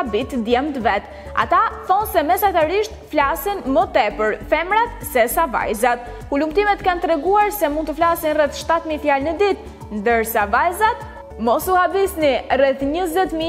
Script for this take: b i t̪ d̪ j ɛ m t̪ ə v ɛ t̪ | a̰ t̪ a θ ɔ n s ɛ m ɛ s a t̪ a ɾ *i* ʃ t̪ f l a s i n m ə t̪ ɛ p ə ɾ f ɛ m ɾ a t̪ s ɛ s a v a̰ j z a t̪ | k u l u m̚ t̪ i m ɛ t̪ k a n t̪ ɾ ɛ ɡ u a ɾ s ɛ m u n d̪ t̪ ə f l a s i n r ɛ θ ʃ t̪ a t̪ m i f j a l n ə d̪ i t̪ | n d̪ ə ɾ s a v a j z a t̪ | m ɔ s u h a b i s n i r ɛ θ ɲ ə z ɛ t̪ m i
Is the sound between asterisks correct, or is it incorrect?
correct